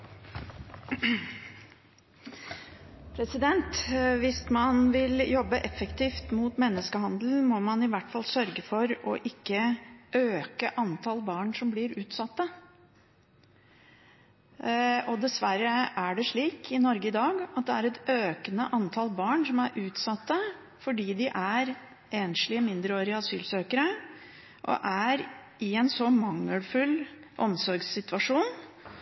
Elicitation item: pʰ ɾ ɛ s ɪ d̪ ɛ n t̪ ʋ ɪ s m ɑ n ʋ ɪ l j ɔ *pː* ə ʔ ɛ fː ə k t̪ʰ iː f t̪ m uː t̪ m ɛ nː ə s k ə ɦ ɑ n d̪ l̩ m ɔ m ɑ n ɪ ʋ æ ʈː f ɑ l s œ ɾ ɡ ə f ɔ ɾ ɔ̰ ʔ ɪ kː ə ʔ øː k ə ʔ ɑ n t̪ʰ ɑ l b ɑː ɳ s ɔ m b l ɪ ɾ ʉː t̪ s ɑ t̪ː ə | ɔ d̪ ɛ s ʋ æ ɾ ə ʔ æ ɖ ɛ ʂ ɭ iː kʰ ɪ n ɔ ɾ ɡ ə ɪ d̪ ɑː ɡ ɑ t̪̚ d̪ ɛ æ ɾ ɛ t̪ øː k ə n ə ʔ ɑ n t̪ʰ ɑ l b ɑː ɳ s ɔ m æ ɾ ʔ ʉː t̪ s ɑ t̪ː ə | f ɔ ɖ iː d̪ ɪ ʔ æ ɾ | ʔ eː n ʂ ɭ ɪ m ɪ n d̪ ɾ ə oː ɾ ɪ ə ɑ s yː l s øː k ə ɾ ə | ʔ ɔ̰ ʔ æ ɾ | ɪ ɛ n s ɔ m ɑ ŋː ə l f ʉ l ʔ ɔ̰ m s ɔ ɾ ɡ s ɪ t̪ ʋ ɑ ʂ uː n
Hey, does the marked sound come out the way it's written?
no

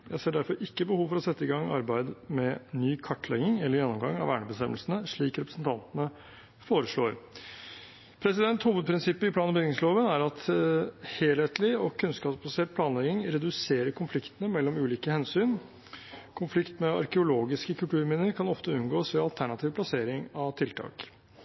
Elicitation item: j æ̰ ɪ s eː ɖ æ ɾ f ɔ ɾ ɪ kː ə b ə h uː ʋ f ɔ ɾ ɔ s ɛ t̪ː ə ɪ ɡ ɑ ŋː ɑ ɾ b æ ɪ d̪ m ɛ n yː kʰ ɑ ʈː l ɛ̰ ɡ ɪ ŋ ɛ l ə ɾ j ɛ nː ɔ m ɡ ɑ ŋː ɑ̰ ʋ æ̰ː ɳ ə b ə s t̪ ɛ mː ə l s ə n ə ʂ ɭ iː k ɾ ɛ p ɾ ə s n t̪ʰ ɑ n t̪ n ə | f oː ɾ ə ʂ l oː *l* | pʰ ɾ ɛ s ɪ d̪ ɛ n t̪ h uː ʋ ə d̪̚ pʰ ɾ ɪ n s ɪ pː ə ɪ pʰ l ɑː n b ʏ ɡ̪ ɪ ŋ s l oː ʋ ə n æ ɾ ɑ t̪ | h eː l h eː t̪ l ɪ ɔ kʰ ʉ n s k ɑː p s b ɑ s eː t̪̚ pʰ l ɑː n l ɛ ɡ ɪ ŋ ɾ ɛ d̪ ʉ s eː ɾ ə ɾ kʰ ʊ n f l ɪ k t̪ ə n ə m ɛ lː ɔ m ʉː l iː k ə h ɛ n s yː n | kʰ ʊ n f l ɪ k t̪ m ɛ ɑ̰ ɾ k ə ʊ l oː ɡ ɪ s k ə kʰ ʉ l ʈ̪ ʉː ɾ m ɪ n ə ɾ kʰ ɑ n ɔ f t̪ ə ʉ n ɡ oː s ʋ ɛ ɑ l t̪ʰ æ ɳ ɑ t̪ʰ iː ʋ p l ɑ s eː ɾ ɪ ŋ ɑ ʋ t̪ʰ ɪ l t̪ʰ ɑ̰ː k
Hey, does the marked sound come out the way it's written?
no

